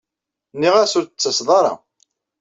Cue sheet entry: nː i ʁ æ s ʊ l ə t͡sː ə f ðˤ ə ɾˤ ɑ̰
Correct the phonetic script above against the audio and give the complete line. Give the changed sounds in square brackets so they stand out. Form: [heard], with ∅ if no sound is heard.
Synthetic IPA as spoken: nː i ʁ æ s ʊ [ɾ] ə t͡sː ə [s] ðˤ [ɑ] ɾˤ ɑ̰